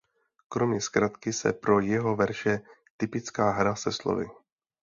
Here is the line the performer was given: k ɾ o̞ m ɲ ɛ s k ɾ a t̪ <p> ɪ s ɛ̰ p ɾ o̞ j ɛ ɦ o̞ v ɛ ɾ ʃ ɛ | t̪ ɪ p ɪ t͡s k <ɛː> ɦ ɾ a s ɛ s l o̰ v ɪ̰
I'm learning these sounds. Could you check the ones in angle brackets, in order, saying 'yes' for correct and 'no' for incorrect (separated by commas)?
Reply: no, no